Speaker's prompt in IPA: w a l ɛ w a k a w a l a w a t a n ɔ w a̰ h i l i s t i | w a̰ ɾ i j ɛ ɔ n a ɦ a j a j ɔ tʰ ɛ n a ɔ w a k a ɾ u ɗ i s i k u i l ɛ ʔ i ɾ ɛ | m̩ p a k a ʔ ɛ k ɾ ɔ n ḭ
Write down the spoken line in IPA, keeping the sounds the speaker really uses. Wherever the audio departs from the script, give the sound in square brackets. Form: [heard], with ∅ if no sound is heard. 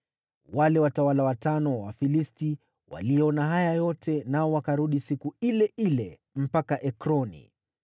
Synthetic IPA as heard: w a l ɛ w a [t] a w a l a w a t a n ɔ w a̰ [f] i l i s t i | w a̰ [l] i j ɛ ɔ n a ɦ a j a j ɔ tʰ ɛ n a ɔ w a k a ɾ u ɗ i s i k u i l ɛ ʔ i [l] ɛ | m̩ p a k a ʔ ɛ k ɾ ɔ n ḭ